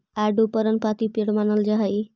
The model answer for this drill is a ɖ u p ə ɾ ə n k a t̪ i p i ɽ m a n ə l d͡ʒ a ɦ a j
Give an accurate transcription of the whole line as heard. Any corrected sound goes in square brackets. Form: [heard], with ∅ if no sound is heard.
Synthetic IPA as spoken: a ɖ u p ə ɾ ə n [p] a t̪ i p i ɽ m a n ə l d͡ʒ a ɦ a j